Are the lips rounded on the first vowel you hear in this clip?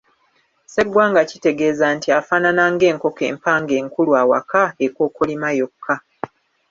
no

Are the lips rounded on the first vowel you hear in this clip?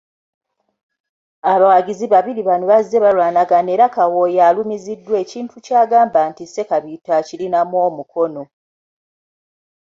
no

